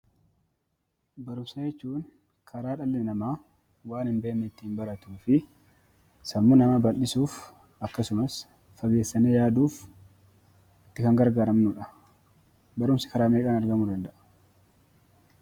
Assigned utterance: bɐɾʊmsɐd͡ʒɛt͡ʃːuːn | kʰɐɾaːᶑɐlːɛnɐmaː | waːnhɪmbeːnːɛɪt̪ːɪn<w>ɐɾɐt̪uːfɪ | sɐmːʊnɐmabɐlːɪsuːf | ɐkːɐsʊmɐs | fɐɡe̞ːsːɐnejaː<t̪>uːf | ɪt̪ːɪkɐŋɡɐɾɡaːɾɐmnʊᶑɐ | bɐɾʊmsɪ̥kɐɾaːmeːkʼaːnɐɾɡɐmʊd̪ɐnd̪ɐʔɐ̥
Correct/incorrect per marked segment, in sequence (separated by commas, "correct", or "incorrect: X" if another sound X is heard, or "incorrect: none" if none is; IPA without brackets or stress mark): incorrect: b, incorrect: d̪